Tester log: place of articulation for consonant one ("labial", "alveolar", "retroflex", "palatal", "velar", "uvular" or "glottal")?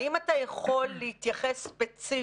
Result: labial